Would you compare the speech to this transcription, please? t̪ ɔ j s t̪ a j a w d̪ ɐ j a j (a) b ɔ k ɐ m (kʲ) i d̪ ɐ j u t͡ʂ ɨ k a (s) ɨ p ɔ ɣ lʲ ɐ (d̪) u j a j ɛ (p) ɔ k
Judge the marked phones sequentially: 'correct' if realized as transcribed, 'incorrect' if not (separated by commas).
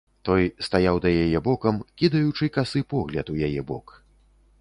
incorrect, correct, correct, incorrect, incorrect